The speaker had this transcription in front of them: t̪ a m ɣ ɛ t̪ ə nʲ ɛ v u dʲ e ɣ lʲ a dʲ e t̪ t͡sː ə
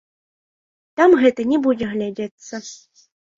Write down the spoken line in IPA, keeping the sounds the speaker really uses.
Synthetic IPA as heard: t̪ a m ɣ ɛ t̪ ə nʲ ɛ b u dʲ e ɣ lʲ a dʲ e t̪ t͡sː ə

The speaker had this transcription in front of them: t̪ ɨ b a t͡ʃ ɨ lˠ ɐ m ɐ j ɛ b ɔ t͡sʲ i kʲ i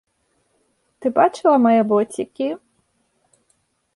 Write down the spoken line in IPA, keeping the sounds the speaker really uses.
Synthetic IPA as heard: t̪ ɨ b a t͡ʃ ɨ lˠ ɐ m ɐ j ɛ b ɔ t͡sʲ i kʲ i

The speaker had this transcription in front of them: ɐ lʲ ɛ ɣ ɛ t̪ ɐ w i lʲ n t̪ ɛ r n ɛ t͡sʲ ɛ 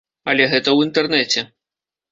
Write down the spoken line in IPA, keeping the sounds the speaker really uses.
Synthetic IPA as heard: ɐ lʲ ɛ ɣ ɛ t̪ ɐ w i n t̪ ɛ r n ɛ t͡sʲ ɛ

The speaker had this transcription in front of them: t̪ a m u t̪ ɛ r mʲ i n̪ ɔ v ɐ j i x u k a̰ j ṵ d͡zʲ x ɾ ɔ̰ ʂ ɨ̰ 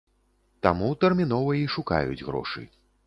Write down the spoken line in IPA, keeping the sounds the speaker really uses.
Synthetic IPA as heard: t̪ a m u t̪ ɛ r mʲ i n̪ ɔ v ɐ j i ʂ u k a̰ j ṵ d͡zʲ ɣ ɾ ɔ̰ ʂ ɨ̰

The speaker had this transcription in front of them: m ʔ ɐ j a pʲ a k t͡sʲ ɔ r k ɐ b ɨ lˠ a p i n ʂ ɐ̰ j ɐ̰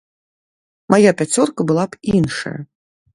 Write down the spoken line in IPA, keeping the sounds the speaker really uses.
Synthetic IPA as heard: m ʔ a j a pʲ a t͡sʲ ɔ r k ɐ b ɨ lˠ a p i n ʂ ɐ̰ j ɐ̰

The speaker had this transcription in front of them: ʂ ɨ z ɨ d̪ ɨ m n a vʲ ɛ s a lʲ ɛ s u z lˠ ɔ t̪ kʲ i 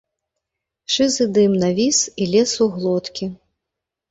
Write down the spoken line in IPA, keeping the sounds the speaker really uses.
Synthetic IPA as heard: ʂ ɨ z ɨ d̪ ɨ m n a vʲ i s i lʲ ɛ s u ɣ lˠ ɔ t̪ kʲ i

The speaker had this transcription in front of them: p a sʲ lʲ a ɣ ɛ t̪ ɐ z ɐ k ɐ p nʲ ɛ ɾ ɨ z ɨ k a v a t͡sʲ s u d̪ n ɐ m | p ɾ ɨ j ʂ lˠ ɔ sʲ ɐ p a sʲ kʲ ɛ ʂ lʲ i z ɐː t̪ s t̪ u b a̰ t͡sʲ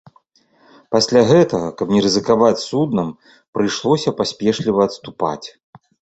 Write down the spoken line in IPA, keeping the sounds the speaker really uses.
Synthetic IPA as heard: p a sʲ lʲ a ɣ ɛ t̪ ɐ ɣ ɐ k ɐ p nʲ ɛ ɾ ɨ z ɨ k a v a t͡sʲ s u d̪ n ɐ m | p ɾ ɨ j ʂ lˠ ɔ sʲ ɐ p a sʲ pʲ ɛ ʂ lʲ i v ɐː t̪ s t̪ u p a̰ t͡sʲ

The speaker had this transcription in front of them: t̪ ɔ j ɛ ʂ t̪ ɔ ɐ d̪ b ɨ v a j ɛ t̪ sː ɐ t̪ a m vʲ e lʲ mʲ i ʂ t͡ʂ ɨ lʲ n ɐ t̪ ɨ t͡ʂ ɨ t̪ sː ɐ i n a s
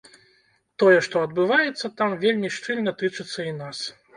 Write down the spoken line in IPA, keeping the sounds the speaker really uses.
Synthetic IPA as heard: t̪ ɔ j ɛ ʂ t̪ ɔ ɐ d̪ b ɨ v a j ɛ t̪ sː ɐ t̪ a m vʲ e lʲ mʲ i ʂ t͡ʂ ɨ lʲ n ɐ t̪ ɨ t͡ʂ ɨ t̪ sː ɐ i n a s

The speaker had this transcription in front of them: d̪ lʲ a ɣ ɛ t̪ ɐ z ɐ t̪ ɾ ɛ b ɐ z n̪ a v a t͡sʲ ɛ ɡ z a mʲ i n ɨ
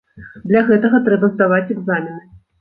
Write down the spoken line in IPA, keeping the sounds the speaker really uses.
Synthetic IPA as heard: d̪ lʲ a ɣ ɛ t̪ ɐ ɣ ɐ t̪ ɾ ɛ b ɐ z d̪ a v a t͡sʲ ɛ ɡ z a mʲ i n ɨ

